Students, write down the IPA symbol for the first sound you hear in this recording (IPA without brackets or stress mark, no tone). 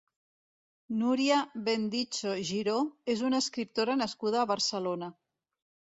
n